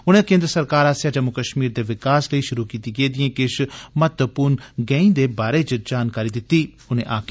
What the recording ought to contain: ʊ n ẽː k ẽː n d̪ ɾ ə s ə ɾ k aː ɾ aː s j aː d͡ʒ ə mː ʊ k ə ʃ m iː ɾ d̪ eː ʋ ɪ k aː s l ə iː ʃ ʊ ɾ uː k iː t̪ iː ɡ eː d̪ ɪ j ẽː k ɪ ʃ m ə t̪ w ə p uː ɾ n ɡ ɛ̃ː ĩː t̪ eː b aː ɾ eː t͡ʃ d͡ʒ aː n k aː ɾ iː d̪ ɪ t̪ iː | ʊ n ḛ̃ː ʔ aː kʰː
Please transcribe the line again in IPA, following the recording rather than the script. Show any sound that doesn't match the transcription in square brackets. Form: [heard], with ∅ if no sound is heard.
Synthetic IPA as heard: ʊ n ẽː k ẽː n d̪ ɾ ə s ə ɾ k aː ɾ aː s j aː d͡ʒ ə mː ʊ k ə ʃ m iː ɾ d̪ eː ʋ ɪ k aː s l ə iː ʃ ʊ ɾ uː k iː t̪ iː ɡ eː d̪ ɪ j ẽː k ɪ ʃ m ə t̪ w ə p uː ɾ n ɡ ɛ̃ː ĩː [d̪] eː b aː ɾ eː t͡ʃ d͡ʒ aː n k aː ɾ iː d̪ ɪ t̪ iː | ʊ n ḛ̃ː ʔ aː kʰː